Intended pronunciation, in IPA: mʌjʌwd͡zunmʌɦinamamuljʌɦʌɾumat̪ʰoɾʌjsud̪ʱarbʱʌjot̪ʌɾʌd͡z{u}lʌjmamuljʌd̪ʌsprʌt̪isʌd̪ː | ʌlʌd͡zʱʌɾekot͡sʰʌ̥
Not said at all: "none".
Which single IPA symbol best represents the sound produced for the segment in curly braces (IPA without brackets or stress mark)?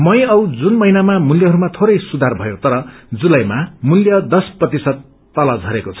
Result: u